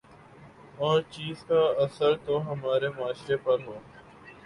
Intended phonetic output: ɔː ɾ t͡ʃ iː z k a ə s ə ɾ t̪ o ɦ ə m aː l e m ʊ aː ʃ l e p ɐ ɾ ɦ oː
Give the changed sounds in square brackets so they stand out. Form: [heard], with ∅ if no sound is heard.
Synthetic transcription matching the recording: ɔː ɾ t͡ʃ iː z k a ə s ə ɾ t̪ o ɦ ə m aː [ɾ] e m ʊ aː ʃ [ɾ] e p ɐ ɾ ɦ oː